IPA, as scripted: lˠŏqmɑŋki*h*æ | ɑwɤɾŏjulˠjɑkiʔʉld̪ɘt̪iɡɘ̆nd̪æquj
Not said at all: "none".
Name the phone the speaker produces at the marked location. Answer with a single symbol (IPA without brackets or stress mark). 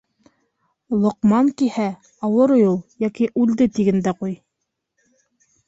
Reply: h